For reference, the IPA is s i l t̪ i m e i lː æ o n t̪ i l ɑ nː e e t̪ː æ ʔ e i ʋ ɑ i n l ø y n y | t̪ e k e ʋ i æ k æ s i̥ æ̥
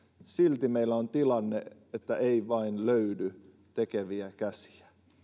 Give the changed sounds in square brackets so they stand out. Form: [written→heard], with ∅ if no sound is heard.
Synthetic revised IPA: s i l t̪ i m e i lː æ o n t̪ i l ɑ nː e e t̪ː æ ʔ e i ʋ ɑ i n l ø y [n→d] y | t̪ e k e ʋ i æ k æ s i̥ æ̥